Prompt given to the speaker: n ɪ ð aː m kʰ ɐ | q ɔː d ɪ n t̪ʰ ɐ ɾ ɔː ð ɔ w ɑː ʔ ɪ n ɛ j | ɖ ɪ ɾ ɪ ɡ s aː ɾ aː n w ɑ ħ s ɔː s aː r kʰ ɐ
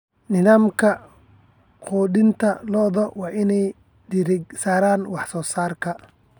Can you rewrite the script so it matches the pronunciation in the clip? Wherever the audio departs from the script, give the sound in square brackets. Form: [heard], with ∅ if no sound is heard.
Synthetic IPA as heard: n ɪ ð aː m kʰ ɐ | q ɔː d ɪ n t̪ʰ ɐ [l] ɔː ð ɔ w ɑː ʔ ɪ n ɛ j | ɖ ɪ ɾ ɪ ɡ s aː ɾ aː n w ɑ ħ s ɔː s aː r kʰ ɐ

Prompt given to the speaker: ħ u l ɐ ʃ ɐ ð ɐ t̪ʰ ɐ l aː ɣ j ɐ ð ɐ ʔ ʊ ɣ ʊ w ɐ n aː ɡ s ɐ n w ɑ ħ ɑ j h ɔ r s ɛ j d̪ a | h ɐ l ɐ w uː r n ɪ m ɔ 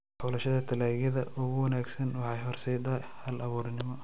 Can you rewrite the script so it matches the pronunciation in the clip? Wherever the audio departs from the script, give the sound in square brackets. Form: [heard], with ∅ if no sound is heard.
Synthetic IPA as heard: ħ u l ɐ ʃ ɐ ð ɐ t̪ʰ ɐ l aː ɣ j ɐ ð ɐ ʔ ʊ ɣ ʊ w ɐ n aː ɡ s ɐ n w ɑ ħ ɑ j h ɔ r s ɛ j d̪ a | h ɐ l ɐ [β] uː r n ɪ m ɔ

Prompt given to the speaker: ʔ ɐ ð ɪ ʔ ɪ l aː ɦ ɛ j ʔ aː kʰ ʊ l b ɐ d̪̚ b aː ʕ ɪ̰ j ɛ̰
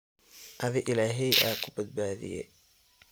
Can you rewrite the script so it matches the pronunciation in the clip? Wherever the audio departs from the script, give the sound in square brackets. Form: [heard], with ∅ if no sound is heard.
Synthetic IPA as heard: ʔ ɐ ð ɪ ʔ ɪ l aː ɦ ɛ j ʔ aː kʰ ʊ [∅] b ɐ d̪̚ b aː [ð] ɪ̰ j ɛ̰

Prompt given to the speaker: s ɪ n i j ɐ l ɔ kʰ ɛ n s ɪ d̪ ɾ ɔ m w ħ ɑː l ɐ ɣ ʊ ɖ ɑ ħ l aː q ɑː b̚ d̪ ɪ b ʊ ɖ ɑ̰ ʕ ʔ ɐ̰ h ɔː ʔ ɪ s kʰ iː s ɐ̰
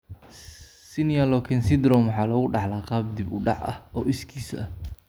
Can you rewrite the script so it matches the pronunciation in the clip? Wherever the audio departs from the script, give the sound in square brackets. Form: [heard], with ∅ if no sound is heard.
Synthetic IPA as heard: s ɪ n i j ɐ l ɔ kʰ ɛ n s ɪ d̪ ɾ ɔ m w ħ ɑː l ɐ ɣ ʊ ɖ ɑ ħ l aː q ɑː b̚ d̪ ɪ b ʊ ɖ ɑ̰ ʕ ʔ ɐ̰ h ɔː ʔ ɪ s kʰ iː s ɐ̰

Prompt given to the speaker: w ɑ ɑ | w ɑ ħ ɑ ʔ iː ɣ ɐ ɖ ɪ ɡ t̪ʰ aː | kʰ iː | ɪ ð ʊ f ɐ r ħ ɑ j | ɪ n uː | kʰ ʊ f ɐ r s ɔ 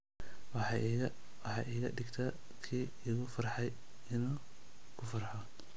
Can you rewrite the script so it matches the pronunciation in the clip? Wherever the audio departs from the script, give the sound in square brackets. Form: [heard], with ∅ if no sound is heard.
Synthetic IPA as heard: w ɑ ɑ | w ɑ ħ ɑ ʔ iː ɣ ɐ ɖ ɪ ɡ t̪ʰ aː | kʰ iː | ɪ [ɣ] ʊ f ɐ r ħ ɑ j | ɪ n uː | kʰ ʊ f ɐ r [ħ] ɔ

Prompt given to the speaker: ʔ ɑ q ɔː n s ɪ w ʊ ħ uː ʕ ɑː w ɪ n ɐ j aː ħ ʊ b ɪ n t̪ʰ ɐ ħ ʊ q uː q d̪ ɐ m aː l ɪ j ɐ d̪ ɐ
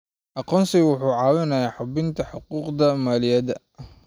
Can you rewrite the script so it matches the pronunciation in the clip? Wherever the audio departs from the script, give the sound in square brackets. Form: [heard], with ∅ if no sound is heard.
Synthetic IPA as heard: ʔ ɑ q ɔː n s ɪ w ʊ ħ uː ʕ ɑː w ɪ n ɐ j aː ħ ʊ b ɪ n t̪ʰ ɐ ħ ʊ q uː q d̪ ɐ m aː l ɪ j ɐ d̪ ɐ

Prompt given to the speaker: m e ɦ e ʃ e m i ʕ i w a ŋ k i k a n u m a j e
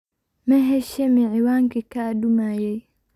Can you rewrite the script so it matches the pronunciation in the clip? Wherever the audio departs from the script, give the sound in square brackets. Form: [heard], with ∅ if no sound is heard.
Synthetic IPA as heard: m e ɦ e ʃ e m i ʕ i w a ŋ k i k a [d] u m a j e

